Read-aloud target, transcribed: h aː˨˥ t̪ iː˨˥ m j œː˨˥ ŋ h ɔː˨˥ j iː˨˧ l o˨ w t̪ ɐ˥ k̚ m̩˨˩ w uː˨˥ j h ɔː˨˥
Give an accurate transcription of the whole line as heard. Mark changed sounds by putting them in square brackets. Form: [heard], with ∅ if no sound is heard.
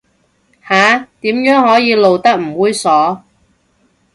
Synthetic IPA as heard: h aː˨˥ t̪ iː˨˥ m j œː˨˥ ŋ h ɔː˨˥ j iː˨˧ l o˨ w t̪ ɐ˥ k̚ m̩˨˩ w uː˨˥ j [s] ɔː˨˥